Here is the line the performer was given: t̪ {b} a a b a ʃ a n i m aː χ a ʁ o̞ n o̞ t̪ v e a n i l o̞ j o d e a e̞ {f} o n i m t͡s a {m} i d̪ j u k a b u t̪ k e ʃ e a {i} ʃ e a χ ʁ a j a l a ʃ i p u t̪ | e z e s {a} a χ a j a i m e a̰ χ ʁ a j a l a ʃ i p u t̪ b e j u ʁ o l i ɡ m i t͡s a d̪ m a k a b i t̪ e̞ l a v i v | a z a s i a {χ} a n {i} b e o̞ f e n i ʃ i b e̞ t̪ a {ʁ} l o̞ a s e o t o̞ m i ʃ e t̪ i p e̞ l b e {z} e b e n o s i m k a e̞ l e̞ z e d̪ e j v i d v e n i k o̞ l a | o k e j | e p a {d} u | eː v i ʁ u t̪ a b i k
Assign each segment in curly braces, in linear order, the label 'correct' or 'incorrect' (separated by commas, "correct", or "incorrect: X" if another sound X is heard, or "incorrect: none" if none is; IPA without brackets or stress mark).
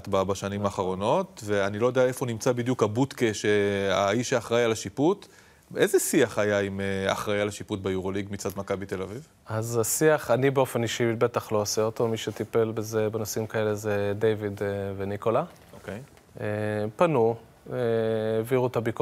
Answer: correct, correct, incorrect: b, correct, incorrect: i, correct, correct, incorrect: χ, correct, incorrect: n